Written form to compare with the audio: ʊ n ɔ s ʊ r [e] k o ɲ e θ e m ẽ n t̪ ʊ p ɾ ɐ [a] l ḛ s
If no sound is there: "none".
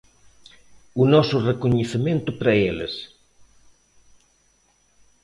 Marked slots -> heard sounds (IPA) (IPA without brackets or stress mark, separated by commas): e, e